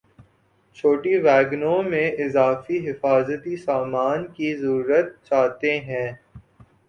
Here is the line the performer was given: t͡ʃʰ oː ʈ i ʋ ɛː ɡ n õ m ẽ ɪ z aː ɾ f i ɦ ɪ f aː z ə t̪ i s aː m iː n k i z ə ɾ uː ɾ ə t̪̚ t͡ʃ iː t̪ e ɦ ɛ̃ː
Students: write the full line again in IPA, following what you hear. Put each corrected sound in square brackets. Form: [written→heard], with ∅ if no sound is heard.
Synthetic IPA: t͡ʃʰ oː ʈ i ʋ ɛː ɡ n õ m ẽ ɪ z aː [ɾ→∅] f i ɦ ɪ f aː z ə t̪ i s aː m [iː→aː] n k i z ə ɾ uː ɾ ə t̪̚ t͡ʃ [iː→aː] t̪ e ɦ ɛ̃ː